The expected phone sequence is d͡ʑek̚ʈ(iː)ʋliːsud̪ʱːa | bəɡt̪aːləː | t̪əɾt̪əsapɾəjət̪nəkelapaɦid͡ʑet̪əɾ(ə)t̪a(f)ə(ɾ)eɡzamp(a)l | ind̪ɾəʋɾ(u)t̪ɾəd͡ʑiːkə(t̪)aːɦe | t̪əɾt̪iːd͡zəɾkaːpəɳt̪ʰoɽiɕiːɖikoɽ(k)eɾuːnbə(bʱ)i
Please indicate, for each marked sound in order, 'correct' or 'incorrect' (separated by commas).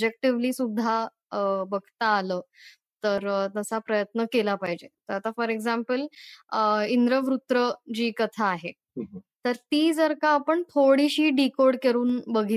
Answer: incorrect, incorrect, correct, correct, incorrect, correct, incorrect, correct, incorrect